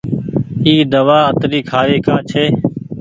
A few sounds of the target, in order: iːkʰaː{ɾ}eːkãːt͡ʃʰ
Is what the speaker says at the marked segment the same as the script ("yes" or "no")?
yes